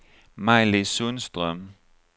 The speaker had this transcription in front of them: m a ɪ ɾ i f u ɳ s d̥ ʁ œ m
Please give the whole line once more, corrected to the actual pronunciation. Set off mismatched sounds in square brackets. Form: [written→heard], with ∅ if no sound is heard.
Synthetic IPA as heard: m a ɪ [ɾ→l] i [f→s] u [ɳ→n] s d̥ ʁ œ m

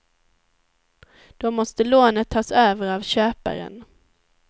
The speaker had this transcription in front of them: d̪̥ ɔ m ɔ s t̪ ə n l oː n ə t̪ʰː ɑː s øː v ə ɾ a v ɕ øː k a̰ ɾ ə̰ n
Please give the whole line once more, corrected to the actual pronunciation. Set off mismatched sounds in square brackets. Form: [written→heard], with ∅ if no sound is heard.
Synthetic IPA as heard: d̪̥ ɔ m ɔ s t̪ ə [n→∅] l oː n ə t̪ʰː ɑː s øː v ə ɾ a v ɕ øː [k→p] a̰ ɾ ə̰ n

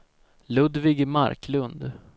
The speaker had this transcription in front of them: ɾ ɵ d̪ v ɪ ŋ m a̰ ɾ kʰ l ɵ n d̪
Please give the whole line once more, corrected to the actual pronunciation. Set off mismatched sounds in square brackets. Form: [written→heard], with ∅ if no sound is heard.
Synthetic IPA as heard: [ɾ→l] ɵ d̪ v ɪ [ŋ→ɡ] m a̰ ɾ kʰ l ɵ n d̪

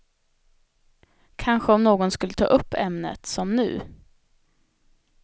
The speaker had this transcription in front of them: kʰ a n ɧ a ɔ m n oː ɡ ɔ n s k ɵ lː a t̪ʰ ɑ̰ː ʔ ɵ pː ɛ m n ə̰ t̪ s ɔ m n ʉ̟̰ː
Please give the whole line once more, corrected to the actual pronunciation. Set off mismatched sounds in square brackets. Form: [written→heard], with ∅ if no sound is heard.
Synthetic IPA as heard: kʰ a n ɧ [a→ə] ɔ m n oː ɡ ɔ n s k ɵ lː [a→ə] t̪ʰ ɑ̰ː ʔ ɵ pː ɛ m n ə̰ t̪ s ɔ m n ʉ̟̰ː

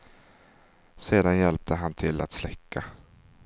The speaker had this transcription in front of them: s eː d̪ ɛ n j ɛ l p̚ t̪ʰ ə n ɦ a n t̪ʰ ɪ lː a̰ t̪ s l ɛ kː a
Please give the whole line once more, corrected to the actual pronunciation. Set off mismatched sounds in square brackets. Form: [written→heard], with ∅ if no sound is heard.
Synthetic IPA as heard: s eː d̪ [ɛ→a] n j ɛ l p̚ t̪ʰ ə [n→∅] ɦ a n t̪ʰ ɪ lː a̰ t̪ s l ɛ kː a

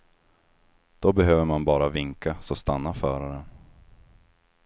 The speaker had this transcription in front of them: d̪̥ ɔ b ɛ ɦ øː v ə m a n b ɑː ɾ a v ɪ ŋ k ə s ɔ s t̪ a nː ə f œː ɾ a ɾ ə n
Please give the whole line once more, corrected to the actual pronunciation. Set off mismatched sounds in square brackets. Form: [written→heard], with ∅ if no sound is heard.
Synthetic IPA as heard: d̪̥ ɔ b ɛ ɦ øː v ə m a n b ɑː ɾ a v ɪ ŋ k [ə→a] s ɔ s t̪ a nː [ə→a] f œː ɾ a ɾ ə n

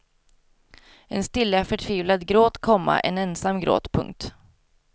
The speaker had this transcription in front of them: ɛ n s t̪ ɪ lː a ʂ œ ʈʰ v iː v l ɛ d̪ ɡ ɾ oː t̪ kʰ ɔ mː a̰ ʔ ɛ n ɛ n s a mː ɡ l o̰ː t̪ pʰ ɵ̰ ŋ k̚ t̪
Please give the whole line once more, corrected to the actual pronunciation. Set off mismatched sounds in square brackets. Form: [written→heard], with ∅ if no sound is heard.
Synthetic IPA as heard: ɛ n s t̪ ɪ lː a [ʂ→f] œ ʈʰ v iː v l [ɛ→a] d̪ ɡ ɾ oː t̪ kʰ ɔ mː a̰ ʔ ɛ n ɛ n s a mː ɡ [l→ɾ] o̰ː t̪ pʰ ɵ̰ ŋ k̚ t̪

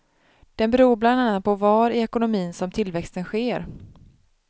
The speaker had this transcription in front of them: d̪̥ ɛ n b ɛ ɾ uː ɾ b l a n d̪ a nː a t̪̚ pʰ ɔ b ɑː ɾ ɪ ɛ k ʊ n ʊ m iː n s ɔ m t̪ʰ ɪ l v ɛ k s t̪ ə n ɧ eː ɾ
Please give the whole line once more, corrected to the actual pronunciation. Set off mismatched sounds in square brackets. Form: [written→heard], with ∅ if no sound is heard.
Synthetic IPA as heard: d̪̥ ɛ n b ɛ ɾ uː ɾ b l a n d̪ a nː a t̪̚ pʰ ɔ [b→v] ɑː ɾ ɪ ɛ k ʊ n ʊ m iː n s ɔ m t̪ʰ ɪ l v ɛ k s t̪ ə n ɧ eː ɾ

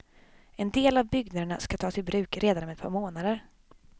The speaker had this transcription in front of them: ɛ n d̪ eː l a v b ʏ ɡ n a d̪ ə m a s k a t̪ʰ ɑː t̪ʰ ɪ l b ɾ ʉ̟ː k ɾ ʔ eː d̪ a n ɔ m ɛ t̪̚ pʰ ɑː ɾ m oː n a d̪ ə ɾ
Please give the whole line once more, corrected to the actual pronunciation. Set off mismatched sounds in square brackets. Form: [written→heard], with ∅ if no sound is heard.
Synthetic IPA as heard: ɛ n d̪ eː l a v b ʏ ɡ n a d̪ ə [m→ɳ] a s k a t̪ʰ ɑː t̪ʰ ɪ l b ɾ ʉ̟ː k ɾ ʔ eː d̪ a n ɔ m ɛ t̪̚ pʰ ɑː ɾ m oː n a d̪ ə ɾ

